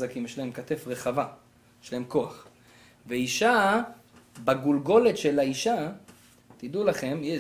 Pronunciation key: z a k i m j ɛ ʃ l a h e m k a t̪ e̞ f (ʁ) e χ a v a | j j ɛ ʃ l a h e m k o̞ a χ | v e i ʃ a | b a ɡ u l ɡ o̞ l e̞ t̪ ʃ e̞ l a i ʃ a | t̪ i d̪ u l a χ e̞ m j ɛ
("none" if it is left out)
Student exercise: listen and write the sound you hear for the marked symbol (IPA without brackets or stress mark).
ʁ